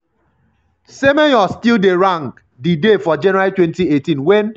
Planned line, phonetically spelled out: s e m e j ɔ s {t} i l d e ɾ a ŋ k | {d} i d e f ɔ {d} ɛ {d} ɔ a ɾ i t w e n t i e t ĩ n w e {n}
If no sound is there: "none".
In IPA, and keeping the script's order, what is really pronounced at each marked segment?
t, d, d͡ʒ, n, n

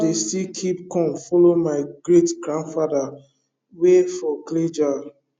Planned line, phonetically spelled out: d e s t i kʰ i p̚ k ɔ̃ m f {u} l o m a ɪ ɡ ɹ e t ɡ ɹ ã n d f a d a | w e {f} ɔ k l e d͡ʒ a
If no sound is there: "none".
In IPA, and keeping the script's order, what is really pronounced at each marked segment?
ɔ, f

